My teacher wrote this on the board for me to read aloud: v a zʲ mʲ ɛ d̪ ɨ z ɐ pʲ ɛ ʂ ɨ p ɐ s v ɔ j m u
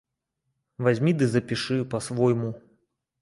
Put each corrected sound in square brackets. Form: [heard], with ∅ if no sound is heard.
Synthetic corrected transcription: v a zʲ mʲ [i] d̪ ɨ z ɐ pʲ [i] ʂ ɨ p ɐ s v ɔ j m u